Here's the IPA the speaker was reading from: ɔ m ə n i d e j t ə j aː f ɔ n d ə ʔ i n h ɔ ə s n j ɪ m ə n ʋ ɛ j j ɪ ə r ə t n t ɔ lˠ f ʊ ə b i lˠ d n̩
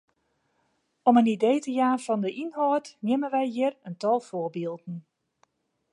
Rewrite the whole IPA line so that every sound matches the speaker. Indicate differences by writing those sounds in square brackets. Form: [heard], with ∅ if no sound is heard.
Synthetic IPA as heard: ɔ m ə n i d e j t ə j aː f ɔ n d ə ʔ i n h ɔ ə [t] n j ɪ m ə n ʋ ɛ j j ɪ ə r ə [∅] n t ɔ lˠ f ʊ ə b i lˠ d n̩